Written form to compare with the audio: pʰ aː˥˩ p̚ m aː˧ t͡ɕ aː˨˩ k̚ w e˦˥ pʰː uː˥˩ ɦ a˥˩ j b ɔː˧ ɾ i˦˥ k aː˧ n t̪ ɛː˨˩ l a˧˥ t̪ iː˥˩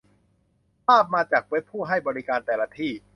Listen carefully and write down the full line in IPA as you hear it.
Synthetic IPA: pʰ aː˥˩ p̚ m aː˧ t͡ɕ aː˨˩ k̚ w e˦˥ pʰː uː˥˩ ɦ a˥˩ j b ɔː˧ ɾ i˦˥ k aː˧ n t̪ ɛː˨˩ l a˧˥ t̪ʰ iː˥˩